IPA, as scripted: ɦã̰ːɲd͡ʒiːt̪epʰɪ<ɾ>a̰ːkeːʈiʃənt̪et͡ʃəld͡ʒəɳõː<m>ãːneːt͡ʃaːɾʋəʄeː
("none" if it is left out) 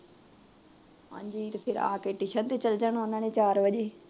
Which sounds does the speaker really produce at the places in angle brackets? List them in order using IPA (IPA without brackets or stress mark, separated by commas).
ɾ, n